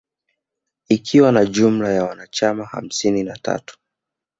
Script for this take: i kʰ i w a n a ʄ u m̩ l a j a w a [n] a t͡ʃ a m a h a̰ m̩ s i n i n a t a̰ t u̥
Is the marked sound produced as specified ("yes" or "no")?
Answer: yes